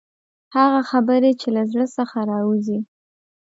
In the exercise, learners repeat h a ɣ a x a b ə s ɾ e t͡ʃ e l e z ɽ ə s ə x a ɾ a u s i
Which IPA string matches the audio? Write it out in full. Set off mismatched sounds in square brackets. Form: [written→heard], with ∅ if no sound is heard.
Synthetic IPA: h a ɣ a x a b ə [s→∅] ɾ e t͡ʃ e l [e→a] z ɽ ə s ə x a ɾ [a→ɑ] u [s→z] i

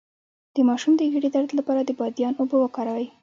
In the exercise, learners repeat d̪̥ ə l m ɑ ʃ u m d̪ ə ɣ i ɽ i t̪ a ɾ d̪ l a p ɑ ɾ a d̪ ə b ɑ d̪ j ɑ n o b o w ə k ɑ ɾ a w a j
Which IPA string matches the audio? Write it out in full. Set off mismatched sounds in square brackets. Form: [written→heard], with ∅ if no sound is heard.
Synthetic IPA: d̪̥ ə [l→∅] m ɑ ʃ u m d̪ ə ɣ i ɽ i [t̪→d̪] a ɾ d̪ l a p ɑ ɾ a d̪ ə b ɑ d̪ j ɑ n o b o w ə k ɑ ɾ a w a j

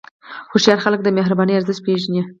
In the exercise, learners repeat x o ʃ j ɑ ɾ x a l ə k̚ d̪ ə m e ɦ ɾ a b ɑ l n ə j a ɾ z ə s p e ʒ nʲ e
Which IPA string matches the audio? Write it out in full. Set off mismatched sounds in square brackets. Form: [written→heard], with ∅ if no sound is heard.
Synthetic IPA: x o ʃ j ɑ ɾ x a l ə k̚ d̪ ə m e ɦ ɾ a b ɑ [l→∅] n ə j a ɾ z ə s p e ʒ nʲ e

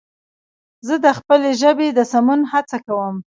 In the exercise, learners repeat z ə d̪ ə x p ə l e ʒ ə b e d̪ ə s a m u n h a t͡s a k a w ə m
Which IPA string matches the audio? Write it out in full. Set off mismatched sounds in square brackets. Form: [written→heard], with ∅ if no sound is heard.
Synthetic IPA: z ə d̪ ə x p ə l e ʒ ə b e d̪ ə s a m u n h a t͡s a k a w ə m

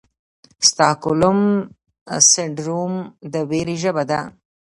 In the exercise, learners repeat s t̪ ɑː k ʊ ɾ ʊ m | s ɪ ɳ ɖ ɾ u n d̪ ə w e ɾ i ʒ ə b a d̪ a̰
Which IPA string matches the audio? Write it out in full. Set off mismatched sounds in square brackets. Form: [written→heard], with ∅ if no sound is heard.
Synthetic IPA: s t̪ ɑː k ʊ [ɾ→l] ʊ m | s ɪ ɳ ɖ ɾ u [n→m] d̪ ə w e ɾ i ʒ ə b a d̪ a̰

